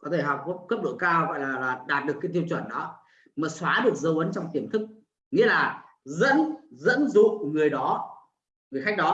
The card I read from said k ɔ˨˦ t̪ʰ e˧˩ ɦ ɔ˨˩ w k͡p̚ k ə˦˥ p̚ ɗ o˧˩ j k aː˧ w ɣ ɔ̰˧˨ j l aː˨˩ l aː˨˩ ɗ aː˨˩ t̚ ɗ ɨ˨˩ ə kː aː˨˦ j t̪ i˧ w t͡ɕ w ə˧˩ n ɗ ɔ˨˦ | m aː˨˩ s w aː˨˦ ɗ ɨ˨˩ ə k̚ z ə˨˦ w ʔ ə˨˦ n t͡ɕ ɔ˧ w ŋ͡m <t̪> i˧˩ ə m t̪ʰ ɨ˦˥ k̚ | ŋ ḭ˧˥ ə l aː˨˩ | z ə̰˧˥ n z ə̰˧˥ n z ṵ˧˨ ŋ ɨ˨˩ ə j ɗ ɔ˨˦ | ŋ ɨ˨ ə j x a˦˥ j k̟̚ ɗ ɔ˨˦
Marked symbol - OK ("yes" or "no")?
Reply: yes